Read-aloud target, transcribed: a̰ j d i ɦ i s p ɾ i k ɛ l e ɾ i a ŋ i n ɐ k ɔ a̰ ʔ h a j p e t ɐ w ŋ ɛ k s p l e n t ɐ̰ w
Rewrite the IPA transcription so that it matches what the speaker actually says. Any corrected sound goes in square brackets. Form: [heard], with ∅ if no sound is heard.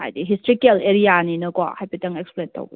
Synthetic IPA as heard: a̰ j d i ɦ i s [t] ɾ i k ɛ l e ɾ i a [n] i n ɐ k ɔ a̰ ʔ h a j p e t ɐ [∅] ŋ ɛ k s p l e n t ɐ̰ w